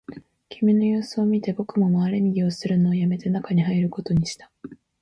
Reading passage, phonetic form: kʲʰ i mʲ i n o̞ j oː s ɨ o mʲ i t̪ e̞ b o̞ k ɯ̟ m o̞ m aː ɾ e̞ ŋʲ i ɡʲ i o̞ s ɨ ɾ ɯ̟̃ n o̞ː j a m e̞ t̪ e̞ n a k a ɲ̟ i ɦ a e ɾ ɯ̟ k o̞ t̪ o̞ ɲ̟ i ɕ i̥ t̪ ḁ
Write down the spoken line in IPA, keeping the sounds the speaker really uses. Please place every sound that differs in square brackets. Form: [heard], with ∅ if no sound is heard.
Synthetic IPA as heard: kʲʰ i mʲ i n o̞ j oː s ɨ o mʲ i t̪ e̞ b o̞ k ɯ̟ m o̞ m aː ɾ e̞ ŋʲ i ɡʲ i o̞ s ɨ ɾ [ɯ̟] n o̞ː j a m e̞ t̪ e̞ n a k a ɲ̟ i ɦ a [i] ɾ ɯ̟ k o̞ t̪ o̞ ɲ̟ i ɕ i̥ t̪ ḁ